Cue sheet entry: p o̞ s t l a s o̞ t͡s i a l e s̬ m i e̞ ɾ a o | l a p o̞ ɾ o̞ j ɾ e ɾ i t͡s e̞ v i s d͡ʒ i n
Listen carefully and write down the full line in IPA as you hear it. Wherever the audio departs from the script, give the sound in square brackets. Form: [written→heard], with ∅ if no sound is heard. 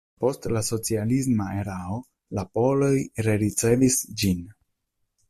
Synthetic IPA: p o̞ s t l a s o̞ t͡s i a l [e→i] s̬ m [i→a] e̞ ɾ a o | l a p o̞ [ɾ→l] o̞ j ɾ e ɾ i t͡s e̞ v i s d͡ʒ i n